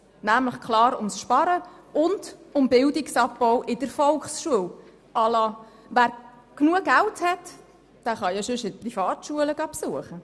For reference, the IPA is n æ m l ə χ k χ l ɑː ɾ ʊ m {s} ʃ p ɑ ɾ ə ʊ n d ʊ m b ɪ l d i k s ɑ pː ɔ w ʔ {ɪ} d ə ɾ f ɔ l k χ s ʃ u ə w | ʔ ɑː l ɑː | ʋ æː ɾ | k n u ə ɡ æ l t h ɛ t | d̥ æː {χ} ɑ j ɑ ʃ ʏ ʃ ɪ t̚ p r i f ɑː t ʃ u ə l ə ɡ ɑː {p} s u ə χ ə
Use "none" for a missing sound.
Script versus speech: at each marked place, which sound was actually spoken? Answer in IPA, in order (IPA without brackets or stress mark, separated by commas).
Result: s, ɪ, χ, p